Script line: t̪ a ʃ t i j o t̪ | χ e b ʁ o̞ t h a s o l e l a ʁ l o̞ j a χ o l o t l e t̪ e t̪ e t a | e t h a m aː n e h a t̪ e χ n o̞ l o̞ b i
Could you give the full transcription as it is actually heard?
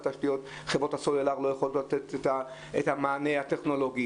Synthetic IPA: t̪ a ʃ t i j o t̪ | χ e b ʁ o̞ t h a s o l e l a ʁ l o̞ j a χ o l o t l a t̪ e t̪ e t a | e t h a m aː n e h a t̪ e χ n o̞ l o̞ ɡ i